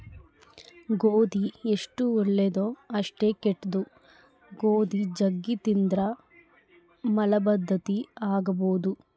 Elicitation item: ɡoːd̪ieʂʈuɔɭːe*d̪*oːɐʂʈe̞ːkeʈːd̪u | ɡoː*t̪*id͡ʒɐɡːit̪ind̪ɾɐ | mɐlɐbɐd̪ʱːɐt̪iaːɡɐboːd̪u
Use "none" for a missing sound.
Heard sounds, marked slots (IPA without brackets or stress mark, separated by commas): d̪, d̪